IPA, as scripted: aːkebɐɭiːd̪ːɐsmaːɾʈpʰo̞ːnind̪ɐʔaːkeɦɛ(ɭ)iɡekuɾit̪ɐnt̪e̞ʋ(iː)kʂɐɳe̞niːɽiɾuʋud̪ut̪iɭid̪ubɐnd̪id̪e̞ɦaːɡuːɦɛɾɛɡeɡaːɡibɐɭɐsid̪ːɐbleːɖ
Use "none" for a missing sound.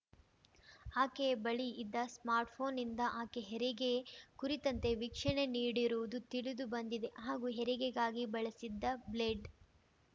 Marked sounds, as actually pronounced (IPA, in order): ɾ, i

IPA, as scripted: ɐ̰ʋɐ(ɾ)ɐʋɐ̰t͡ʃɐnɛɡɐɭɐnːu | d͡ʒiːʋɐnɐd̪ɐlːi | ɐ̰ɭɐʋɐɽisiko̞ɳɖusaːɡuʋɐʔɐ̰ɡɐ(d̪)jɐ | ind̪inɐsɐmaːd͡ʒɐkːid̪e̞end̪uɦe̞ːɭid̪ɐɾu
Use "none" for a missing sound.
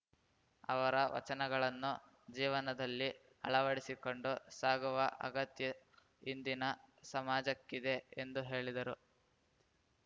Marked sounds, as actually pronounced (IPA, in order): ɾ, t̪

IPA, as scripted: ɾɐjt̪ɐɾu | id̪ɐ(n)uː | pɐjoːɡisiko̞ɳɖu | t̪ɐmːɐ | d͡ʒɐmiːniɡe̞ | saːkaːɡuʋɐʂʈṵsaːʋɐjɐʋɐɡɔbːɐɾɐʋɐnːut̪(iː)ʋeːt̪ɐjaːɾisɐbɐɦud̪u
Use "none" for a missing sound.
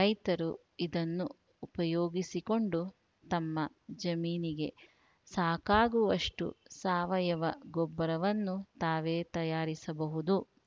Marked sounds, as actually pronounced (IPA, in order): nː, aː

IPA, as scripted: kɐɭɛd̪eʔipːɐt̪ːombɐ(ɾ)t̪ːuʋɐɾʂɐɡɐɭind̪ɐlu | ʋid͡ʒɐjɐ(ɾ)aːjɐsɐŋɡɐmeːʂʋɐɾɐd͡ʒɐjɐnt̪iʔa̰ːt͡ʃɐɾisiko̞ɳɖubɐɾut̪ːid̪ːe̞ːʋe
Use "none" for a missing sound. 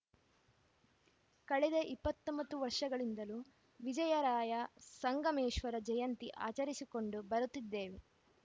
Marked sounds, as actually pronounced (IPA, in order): none, ɾ

